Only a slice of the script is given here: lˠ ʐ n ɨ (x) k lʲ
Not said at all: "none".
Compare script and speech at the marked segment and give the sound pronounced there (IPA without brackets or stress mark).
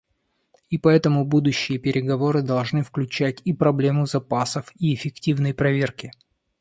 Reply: f